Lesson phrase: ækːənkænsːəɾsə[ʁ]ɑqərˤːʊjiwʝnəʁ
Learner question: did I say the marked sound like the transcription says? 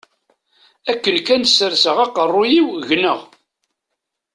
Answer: yes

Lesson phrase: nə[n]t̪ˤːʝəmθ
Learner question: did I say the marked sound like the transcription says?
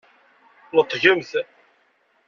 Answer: no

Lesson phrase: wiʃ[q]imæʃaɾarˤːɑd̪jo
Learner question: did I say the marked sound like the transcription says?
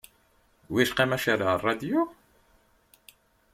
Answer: yes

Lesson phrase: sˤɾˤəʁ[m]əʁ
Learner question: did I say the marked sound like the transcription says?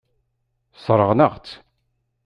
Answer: no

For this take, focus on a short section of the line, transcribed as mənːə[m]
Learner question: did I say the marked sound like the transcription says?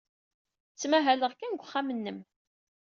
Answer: yes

